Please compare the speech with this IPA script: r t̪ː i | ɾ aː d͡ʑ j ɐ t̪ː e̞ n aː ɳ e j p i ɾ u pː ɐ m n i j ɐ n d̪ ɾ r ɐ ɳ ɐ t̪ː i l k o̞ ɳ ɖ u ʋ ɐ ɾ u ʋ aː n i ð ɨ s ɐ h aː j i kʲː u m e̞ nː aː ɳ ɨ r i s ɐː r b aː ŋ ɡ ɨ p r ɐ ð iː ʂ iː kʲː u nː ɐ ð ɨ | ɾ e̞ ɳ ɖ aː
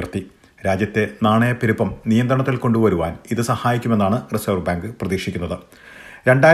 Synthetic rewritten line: r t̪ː i | ɾ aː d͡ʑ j ɐ t̪ː e̞ n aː ɳ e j p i ɾ u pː ɐ m n i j ɐ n d̪ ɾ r ɐ ɳ ɐ t̪ː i l k o̞ ɳ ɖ u ʋ ɐ ɾ u ʋ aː n i ð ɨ s ɐ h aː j i kʲː u m e̞ nː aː ɳ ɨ r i s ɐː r b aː ŋ ɡ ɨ p r ɐ ð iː ʂ i kʲː u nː ɐ ð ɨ | ɾ e̞ ɳ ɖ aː